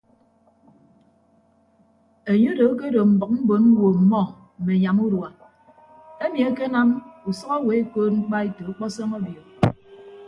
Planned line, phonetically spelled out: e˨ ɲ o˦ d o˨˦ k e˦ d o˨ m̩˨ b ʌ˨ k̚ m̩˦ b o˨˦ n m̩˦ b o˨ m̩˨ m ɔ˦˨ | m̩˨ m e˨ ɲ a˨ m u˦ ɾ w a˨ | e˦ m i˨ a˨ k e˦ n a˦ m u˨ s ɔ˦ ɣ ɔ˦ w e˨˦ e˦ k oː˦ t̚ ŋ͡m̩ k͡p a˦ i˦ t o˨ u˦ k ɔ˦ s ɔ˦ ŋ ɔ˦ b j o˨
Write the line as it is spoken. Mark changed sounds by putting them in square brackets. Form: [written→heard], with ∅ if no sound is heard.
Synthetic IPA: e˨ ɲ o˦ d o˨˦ k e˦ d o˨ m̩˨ b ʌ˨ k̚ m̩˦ b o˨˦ n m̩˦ [b→w] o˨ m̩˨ m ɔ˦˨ | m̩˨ m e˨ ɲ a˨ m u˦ ɾ w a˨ | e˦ m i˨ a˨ k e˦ n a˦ m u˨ s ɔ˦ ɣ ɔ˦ w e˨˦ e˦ k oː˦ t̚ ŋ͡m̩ k͡p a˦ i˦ t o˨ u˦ [k→k͡p] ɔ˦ s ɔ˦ ŋ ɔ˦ b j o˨